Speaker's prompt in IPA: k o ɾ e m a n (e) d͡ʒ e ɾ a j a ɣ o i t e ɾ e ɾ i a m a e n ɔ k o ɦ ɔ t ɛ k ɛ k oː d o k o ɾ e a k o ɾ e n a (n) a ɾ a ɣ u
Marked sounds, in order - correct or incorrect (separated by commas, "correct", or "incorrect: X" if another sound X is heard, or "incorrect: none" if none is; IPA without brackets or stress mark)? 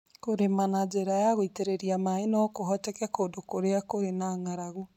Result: incorrect: a, incorrect: ŋ